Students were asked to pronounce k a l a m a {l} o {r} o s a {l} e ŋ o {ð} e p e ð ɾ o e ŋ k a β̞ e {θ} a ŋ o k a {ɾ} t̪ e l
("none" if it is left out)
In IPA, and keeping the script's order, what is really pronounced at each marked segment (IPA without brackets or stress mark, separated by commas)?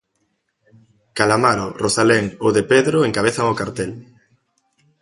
ɾ, r, l, ð, θ, ɾ